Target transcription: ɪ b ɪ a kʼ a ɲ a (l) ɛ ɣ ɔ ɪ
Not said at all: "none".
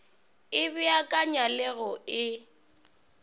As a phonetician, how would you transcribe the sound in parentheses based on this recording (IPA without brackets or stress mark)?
l